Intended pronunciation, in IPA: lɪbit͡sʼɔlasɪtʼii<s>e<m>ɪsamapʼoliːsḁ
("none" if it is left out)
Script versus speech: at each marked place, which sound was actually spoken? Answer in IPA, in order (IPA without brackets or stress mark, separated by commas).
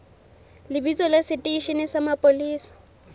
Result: ʃ, n